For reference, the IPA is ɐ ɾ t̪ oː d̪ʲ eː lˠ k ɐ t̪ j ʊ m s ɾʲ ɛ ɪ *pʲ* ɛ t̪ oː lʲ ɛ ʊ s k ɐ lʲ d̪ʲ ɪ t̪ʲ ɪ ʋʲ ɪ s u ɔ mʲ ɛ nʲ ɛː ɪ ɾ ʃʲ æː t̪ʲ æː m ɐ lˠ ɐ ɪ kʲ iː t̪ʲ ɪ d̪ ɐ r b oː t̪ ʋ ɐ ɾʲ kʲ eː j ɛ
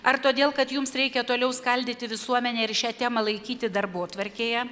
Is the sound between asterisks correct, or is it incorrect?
incorrect